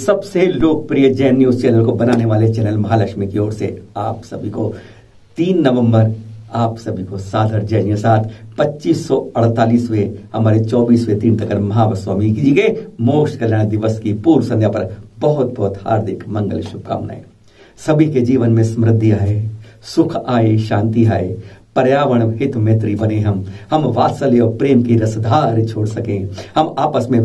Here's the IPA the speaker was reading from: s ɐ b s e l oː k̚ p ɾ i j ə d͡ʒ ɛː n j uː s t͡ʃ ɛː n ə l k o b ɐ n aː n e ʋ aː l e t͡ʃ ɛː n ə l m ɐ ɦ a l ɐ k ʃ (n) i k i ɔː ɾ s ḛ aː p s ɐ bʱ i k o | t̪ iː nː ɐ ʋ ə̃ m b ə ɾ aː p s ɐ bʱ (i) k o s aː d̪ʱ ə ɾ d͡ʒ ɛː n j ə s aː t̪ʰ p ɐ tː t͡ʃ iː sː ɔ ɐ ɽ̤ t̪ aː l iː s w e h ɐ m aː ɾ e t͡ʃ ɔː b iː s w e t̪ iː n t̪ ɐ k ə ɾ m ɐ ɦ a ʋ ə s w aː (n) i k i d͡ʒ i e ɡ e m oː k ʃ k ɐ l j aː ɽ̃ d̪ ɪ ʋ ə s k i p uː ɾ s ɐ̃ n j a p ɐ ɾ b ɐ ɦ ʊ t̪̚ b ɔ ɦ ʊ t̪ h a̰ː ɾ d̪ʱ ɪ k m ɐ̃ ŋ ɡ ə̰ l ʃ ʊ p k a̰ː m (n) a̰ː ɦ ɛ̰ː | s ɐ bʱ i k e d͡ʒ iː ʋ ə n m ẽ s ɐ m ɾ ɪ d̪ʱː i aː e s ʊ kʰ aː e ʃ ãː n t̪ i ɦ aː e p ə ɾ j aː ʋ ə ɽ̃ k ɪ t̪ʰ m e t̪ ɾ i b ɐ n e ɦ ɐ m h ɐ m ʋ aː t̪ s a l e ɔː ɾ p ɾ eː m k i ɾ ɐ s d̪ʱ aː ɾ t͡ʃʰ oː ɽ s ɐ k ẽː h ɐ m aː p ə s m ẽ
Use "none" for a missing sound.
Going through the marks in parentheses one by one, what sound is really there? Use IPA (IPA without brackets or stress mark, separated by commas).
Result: m, i, m, n